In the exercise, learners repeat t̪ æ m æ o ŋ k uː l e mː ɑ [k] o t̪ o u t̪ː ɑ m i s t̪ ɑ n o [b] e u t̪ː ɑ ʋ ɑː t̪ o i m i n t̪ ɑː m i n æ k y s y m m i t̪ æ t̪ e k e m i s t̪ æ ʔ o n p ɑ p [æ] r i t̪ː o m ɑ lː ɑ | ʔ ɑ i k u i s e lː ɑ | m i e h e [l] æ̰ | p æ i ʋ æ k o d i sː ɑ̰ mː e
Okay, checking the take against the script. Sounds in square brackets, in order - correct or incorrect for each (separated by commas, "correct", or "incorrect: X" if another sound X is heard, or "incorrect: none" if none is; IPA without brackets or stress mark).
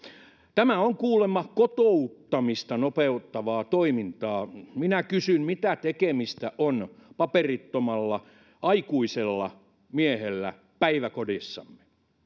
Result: correct, incorrect: p, incorrect: e, incorrect: lː